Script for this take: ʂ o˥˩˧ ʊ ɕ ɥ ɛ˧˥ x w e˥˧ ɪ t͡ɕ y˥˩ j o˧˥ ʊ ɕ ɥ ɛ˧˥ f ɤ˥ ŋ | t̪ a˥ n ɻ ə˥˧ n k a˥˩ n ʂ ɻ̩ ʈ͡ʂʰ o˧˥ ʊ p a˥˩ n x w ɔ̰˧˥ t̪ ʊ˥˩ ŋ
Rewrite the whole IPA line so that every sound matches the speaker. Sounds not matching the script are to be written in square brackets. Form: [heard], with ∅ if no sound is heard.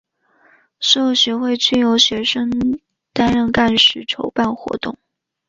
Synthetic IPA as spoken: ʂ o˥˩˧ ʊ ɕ ɥ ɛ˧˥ x w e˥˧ ɪ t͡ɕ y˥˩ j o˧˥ ʊ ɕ ɥ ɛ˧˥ [ʂ] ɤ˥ ŋ | t̪ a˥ n ɻ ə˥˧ n k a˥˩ n ʂ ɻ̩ ʈ͡ʂʰ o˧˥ ʊ p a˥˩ n x w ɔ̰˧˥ t̪ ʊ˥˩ ŋ